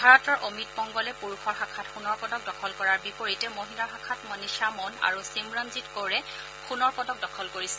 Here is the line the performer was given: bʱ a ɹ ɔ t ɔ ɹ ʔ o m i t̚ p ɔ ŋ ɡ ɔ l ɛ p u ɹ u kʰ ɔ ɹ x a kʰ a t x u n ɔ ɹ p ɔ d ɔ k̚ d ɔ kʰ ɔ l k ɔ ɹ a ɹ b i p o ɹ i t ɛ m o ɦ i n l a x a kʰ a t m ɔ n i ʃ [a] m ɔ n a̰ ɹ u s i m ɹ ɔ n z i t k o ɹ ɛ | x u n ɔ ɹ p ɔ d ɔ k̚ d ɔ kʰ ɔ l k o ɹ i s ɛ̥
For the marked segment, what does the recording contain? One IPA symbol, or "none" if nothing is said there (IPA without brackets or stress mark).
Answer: a